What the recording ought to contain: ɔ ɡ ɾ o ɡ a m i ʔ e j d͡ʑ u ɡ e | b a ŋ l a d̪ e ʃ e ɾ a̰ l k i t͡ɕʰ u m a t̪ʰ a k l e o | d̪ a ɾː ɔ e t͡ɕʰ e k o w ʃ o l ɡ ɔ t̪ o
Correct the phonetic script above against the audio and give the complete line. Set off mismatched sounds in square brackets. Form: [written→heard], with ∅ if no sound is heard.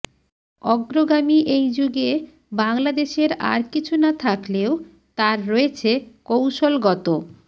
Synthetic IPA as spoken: ɔ ɡ ɾ o ɡ a m i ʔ e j d͡ʑ u ɡ e | b a ŋ l a d̪ e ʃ e ɾ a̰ [l→ɾ] k i t͡ɕʰ u [m→n] a t̪ʰ a k l e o | [d̪→t̪] a ɾː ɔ e t͡ɕʰ e k o w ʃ o l ɡ ɔ t̪ o